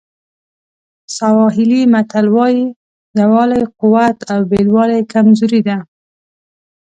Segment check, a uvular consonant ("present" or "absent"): present